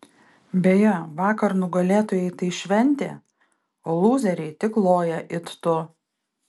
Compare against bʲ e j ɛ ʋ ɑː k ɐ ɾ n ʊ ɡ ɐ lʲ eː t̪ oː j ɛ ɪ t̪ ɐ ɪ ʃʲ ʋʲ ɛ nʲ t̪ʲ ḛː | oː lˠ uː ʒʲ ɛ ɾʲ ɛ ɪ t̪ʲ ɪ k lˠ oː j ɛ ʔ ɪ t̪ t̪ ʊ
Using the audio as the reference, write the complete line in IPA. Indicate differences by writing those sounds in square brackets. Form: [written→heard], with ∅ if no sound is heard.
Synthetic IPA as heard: bʲ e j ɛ ʋ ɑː k ɐ ɾ n ʊ ɡ ɐ lʲ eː t̪ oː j ɛ ɪ t̪ ɐ ɪ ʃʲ ʋʲ ɛ nʲ t̪ʲ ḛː | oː lˠ uː [ʒʲ→zʲ] ɛ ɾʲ ɛ ɪ t̪ʲ ɪ k lˠ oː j ɛ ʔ ɪ t̪ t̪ ʊ

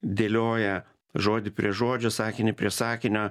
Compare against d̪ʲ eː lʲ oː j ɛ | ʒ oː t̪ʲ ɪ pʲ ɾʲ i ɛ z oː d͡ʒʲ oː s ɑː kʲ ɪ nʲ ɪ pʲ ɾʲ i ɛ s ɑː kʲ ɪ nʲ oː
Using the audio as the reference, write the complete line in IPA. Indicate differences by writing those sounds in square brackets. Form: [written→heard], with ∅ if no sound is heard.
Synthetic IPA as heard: d̪ʲ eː lʲ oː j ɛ | ʒ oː [t̪ʲ→d̪ʲ] ɪ pʲ ɾʲ i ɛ [z→ʒ] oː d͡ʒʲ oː s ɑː kʲ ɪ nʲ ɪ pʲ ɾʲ i ɛ s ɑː kʲ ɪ nʲ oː

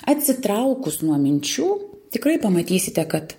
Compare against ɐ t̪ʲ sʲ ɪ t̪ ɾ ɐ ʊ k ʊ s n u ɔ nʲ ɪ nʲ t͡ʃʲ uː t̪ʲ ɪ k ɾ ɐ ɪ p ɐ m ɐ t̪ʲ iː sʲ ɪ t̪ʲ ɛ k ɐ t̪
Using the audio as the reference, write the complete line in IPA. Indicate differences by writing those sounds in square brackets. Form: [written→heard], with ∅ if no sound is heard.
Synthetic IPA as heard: ɐ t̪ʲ sʲ ɪ t̪ ɾ ɐ ʊ k ʊ s n u ɔ [nʲ→mʲ] ɪ nʲ t͡ʃʲ uː t̪ʲ ɪ k ɾ ɐ ɪ p ɐ m ɐ t̪ʲ iː sʲ ɪ t̪ʲ ɛ k ɐ t̪

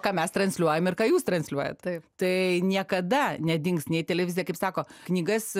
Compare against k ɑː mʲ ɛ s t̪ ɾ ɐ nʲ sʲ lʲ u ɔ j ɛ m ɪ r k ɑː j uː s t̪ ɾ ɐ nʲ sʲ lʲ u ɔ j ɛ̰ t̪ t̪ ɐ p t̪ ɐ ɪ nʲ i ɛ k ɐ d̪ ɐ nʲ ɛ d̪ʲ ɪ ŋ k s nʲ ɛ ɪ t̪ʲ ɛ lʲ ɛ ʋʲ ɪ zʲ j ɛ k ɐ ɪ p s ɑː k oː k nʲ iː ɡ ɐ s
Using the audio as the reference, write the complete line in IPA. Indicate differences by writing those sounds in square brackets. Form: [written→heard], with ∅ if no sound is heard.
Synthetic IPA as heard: k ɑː mʲ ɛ s t̪ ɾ ɐ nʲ sʲ lʲ u ɔ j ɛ m ɪ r k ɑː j uː s t̪ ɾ ɐ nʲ sʲ lʲ u ɔ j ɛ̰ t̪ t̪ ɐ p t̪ ɐ ɪ nʲ i ɛ k ɐ d̪ ɐ nʲ ɛ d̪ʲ ɪ ŋ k s nʲ ɛ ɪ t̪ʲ ɛ lʲ ɛ ʋʲ ɪ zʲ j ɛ k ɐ ɪ p s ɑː k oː k nʲ iː ɡ ɐ s

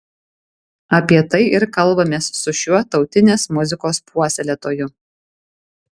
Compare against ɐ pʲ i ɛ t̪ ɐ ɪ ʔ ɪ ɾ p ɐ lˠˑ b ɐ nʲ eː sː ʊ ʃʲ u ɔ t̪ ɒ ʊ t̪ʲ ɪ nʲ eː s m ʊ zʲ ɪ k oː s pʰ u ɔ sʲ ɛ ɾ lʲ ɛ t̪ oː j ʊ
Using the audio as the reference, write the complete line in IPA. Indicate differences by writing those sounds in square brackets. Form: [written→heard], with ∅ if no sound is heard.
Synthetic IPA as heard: ɐ pʲ i ɛ t̪ ɐ ɪ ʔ ɪ ɾ [p→k] ɐ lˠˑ b ɐ [nʲ→mʲ] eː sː ʊ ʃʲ u ɔ t̪ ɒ ʊ t̪ʲ ɪ nʲ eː s m ʊ zʲ ɪ k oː s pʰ u ɔ sʲ ɛ [ɾ→∅] lʲ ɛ t̪ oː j ʊ

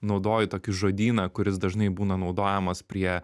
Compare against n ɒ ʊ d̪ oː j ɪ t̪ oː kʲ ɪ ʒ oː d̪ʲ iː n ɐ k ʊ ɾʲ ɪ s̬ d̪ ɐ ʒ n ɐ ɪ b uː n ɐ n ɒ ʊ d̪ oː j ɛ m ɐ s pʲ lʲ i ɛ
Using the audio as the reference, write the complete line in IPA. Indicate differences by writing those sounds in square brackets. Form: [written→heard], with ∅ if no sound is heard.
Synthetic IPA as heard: n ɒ ʊ d̪ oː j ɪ t̪ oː kʲ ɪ ʒ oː d̪ʲ iː n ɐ k ʊ ɾʲ ɪ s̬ d̪ ɐ ʒ n ɐ ɪ b uː n ɐ n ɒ ʊ d̪ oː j ɛ m ɐ s pʲ [lʲ→ɾʲ] i ɛ

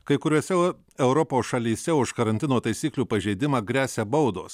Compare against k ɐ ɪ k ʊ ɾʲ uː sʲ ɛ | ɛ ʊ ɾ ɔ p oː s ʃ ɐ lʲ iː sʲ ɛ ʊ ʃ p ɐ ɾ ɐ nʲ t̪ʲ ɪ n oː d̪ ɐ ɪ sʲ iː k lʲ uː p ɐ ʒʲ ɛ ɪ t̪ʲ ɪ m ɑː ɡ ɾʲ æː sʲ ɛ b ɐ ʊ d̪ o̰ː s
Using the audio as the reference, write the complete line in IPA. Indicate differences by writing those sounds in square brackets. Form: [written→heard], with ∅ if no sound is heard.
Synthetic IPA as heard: k ɐ ɪ k ʊ ɾʲ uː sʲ ɛ | ɛ ʊ ɾ ɔ p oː s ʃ ɐ lʲ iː sʲ ɛ ʊ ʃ [p→k] ɐ ɾ ɐ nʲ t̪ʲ ɪ n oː [d̪→t̪] ɐ ɪ sʲ iː k lʲ uː p ɐ ʒʲ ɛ ɪ [t̪ʲ→d̪ʲ] ɪ m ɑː ɡ ɾʲ æː sʲ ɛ b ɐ ʊ d̪ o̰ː s

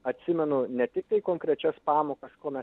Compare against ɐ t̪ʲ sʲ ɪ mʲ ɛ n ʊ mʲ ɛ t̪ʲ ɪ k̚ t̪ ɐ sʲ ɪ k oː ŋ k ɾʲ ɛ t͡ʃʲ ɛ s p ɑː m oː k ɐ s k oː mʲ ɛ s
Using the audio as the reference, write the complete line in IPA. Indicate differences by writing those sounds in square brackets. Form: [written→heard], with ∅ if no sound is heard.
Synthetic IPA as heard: ɐ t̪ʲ sʲ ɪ mʲ ɛ n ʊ [mʲ→nʲ] ɛ t̪ʲ ɪ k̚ t̪ ɐ [sʲ→∅] ɪ k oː ŋ k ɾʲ ɛ t͡ʃʲ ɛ s p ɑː m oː k ɐ s k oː mʲ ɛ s

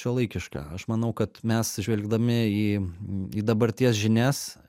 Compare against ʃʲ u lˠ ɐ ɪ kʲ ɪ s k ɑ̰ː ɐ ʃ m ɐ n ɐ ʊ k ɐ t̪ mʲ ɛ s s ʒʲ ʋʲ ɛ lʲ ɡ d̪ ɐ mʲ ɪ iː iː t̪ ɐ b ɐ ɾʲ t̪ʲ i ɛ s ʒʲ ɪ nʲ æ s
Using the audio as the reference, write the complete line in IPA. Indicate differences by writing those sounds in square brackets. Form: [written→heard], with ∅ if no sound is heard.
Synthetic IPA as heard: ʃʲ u lˠ ɐ ɪ kʲ ɪ [s→ʃ] k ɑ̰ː ɐ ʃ m ɐ n ɐ ʊ k ɐ t̪ mʲ ɛ s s ʒʲ ʋʲ ɛ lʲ ɡ d̪ ɐ mʲ ɪ iː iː [t̪→d̪] ɐ b ɐ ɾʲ t̪ʲ i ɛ s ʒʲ ɪ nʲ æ s

